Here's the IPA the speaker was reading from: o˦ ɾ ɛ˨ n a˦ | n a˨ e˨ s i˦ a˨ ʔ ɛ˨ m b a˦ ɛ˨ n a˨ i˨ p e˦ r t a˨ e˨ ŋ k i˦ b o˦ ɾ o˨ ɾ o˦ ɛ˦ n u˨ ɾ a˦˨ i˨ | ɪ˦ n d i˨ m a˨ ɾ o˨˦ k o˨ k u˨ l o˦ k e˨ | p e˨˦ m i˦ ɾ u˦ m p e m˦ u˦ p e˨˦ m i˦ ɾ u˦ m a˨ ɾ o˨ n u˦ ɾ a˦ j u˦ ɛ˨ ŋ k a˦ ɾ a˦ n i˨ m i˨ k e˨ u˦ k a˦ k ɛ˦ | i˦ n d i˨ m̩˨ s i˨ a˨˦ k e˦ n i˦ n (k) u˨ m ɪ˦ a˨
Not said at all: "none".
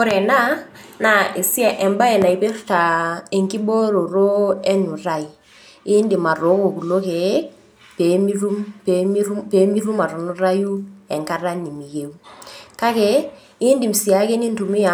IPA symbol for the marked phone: t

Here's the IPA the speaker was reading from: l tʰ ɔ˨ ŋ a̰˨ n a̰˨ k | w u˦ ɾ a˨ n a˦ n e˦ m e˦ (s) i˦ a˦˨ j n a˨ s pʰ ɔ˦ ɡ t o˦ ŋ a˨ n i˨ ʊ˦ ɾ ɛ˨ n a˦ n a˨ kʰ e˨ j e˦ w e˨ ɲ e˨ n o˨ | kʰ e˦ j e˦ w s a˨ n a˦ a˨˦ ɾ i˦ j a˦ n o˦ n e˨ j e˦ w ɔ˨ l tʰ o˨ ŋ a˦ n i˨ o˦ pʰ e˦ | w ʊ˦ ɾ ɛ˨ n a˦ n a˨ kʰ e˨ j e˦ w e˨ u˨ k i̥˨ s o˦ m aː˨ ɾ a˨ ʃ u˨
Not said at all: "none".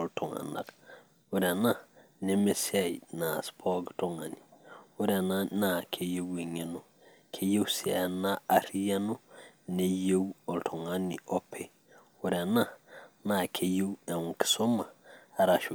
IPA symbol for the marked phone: s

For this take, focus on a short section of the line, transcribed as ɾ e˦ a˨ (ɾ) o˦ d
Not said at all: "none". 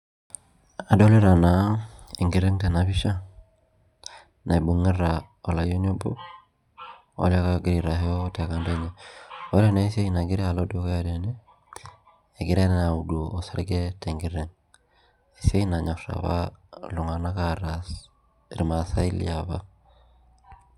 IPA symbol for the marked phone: l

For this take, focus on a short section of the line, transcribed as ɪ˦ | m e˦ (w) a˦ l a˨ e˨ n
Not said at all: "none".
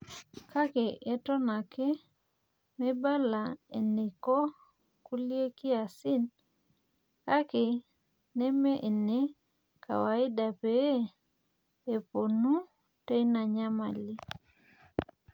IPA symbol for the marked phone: b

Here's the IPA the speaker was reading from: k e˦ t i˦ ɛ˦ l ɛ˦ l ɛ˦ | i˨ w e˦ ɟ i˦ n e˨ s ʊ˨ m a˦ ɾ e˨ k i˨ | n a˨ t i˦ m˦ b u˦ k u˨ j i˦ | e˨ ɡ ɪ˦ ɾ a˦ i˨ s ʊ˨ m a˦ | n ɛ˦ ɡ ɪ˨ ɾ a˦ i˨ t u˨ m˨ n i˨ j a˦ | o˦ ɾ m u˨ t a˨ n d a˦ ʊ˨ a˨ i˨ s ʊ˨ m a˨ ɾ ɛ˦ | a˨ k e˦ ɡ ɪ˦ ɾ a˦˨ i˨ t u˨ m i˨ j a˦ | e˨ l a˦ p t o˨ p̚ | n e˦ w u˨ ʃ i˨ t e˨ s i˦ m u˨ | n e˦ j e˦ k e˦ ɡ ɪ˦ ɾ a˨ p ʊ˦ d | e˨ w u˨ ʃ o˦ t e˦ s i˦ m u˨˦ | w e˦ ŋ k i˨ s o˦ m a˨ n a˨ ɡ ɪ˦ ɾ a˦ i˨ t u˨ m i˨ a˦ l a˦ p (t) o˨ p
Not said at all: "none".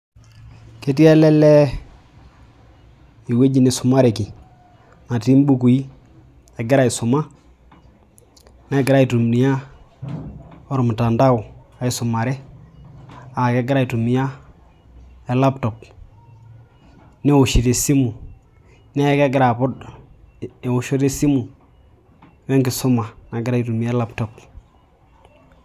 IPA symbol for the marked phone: t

